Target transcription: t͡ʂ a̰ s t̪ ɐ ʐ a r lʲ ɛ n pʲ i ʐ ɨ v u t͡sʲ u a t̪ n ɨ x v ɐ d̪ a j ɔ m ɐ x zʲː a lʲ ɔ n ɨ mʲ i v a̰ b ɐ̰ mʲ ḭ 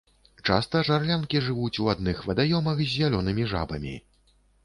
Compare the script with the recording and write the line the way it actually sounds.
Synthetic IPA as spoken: t͡ʂ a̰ s t̪ ɐ ʐ a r lʲ a n kʲ i ʐ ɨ v u t͡sʲ u a d̪ n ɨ x v ɐ d̪ a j ɔ m ɐ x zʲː a lʲ ɔ n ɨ mʲ i ʐ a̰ b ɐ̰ mʲ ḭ